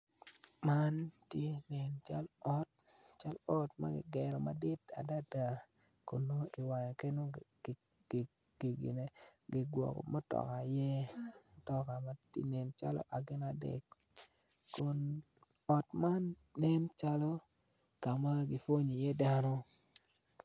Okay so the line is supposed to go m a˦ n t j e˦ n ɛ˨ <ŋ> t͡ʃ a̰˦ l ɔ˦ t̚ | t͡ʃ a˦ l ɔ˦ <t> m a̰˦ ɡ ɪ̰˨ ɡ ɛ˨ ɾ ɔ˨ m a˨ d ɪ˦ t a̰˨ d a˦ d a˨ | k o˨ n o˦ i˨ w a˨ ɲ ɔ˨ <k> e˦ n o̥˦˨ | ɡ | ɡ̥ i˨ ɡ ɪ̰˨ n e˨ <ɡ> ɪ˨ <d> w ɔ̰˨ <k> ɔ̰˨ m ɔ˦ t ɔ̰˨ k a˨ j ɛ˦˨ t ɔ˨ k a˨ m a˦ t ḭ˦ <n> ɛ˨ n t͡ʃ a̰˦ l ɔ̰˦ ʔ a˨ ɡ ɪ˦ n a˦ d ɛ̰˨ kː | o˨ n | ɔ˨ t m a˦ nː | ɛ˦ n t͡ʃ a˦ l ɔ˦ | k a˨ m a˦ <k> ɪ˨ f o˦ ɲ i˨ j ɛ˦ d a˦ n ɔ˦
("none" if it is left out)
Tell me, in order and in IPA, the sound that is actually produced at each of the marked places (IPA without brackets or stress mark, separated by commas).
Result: n, t, k, ɡ, ɡ, k, n, ɡ